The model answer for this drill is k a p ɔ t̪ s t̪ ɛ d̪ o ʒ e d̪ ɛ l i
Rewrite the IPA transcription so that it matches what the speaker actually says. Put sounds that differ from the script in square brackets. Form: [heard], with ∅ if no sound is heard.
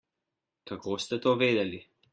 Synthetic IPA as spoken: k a [k] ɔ [∅] s t̪ ɛ [t̪] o [v] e d̪ ɛ l i